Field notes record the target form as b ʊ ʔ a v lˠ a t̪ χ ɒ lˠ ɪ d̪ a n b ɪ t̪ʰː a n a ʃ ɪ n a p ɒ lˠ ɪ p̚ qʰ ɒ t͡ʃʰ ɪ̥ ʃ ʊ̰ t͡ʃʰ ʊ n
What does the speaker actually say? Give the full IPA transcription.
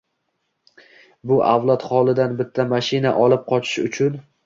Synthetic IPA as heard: b ʊ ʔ a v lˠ a t̪ χ ɒ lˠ ɪ d̪ a n b ɪ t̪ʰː a m a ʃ ɪ n a ʔ ɒ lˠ ɪ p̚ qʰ ɒ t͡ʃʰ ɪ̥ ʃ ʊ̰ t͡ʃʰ ʊ n

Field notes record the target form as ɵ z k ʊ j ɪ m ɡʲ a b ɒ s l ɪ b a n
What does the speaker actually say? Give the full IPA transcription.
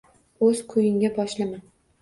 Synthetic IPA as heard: ɵ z kʰ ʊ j ɪ ŋ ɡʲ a b ɒ ʃ l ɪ m a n

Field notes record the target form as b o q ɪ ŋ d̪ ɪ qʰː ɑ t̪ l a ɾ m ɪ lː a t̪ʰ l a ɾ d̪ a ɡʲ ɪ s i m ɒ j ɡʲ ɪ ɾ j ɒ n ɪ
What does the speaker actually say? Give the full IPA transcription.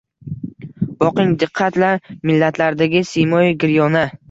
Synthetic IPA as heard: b ɒ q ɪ ŋ d̪ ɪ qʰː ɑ t̪ l a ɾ m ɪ lː a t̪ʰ l a ɾ d̪ a ɡʲ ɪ s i m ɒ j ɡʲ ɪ ɾ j ɒ n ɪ

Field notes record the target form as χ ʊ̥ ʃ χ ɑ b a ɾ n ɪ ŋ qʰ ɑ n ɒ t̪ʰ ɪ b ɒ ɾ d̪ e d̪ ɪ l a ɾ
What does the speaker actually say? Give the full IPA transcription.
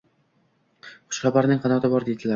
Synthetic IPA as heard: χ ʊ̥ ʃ χ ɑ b a ɾ n ɪ ŋ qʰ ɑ n ɒ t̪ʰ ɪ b ɒ ɾ d̪ e d̪ ɪ l a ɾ

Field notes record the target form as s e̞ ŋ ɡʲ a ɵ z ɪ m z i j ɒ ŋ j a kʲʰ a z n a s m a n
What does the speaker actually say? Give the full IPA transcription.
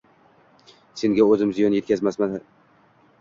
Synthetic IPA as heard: s e̞ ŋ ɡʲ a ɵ z ɪ m z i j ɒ n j e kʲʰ a z m a s m a n

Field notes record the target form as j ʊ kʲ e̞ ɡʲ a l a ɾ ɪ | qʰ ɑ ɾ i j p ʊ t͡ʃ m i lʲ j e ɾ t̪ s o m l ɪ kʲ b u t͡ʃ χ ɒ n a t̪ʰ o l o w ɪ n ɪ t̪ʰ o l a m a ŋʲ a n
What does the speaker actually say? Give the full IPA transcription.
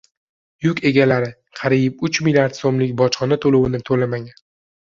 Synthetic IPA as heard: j ʊ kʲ e̞ ɡʲ a l a ɾ ɪ | qʰ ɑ ɾ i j p ʊ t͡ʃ m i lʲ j a ɾ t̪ s o m l ɪ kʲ b ɒ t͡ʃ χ ɒ n a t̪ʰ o l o w ɪ n ɪ t̪ʰ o l a m a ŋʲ a n

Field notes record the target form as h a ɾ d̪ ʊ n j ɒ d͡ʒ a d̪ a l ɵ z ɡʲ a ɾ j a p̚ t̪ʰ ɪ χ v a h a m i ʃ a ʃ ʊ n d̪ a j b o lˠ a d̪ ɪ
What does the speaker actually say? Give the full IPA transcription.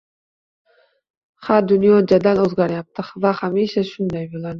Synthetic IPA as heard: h a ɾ d̪ ʊ n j ɒ d͡ʒ a d̪ a l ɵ z ɡʲ a ɾ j a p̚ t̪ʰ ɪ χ v a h a m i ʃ a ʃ ʊ n d̪ a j b o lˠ a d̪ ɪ

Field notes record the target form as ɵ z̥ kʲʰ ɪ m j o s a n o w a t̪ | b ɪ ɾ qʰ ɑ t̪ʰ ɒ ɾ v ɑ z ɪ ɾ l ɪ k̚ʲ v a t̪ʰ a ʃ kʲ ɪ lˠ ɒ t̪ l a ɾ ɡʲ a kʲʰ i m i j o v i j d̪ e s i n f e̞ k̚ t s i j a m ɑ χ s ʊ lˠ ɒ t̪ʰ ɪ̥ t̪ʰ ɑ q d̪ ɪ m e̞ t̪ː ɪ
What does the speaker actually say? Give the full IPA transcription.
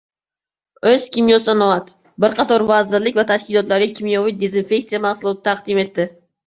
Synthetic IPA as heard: ɵ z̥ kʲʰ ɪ m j o s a n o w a t̪ | b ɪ ɾ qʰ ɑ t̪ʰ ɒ ɾ v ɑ z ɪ ɾ l ɪ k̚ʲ v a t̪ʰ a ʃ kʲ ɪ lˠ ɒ t̪ l a ɾ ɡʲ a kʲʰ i m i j o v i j d̪ e z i n f e̞ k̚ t s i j a m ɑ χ s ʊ lˠ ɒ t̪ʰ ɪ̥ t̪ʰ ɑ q d̪ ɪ m e̞ t̪ː ɪ

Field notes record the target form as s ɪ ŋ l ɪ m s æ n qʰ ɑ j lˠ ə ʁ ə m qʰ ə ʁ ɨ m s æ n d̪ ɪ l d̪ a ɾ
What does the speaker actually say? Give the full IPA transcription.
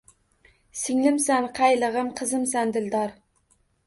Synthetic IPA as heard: s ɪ ŋ l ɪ m s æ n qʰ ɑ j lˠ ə ʁ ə m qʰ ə z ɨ m s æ n d̪ ɪ l d̪ ɑ ɾ

